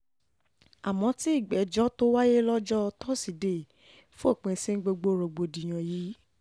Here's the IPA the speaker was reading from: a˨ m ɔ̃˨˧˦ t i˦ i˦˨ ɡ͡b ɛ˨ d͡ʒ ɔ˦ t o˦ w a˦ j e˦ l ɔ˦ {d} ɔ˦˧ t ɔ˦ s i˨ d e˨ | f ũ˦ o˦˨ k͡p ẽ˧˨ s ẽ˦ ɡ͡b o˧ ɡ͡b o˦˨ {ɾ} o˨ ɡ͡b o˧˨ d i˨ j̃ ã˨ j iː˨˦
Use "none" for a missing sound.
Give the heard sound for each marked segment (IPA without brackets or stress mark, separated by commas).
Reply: d͡ʒ, ɾ